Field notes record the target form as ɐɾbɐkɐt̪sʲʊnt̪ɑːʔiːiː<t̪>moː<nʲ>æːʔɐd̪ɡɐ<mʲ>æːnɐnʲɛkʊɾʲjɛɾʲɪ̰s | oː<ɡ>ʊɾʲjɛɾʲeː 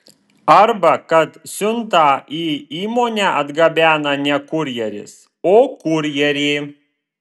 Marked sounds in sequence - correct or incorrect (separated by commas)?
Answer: incorrect, correct, incorrect, incorrect